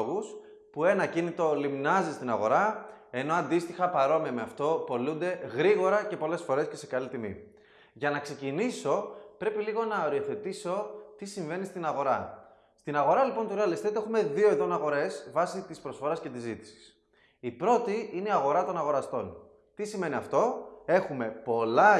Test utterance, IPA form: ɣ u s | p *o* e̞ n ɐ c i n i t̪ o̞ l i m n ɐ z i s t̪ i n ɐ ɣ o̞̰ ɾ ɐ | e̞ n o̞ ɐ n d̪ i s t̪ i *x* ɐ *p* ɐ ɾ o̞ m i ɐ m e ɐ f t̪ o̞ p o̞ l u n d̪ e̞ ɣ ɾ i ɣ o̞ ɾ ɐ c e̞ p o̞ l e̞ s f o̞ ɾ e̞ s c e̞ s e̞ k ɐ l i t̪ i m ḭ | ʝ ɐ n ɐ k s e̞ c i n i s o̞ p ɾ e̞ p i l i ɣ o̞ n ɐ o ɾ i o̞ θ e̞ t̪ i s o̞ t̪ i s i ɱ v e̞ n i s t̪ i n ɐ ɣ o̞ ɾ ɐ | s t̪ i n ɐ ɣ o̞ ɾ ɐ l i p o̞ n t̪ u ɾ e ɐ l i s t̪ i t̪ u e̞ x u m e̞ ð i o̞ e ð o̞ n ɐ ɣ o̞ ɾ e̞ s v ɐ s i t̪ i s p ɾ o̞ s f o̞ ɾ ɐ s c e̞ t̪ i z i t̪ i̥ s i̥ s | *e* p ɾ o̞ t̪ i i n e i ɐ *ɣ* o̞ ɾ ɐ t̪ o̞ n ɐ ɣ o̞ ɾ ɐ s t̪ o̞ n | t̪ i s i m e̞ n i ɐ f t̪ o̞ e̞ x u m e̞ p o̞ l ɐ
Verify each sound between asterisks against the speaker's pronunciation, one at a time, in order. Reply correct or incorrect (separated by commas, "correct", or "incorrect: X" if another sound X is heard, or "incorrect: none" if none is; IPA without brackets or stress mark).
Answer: incorrect: u, correct, correct, incorrect: i, correct